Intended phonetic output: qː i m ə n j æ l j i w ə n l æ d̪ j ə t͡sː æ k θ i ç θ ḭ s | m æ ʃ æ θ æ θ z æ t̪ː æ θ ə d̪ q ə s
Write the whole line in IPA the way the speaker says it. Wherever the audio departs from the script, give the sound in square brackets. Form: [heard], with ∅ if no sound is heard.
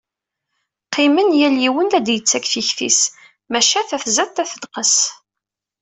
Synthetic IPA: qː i m ə n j æ l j i w ə n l æ d̪ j ə t͡sː æ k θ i ç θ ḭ s | m æ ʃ æ θ æ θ z æ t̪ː æ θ ə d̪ q ə s